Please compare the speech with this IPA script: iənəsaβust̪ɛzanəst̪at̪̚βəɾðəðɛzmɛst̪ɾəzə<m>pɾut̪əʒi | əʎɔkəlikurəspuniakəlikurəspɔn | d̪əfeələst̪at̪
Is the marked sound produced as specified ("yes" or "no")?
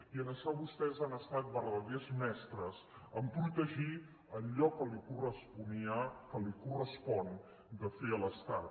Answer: yes